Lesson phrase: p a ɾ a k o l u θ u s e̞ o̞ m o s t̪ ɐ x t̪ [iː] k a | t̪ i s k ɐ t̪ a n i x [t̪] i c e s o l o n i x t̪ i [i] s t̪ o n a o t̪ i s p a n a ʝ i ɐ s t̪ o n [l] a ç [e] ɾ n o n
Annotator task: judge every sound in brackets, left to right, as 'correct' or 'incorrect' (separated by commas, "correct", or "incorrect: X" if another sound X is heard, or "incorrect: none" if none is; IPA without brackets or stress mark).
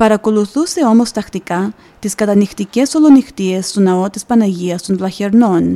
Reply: incorrect: i, correct, incorrect: e, correct, correct